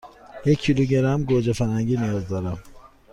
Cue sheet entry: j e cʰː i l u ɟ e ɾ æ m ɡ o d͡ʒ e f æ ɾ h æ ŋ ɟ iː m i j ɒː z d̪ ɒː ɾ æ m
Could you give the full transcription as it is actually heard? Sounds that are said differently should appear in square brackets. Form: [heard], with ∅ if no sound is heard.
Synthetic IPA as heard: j e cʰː i l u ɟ e ɾ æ m ɡ o d͡ʒ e f æ ɾ h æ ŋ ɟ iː [n] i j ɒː z d̪ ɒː ɾ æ m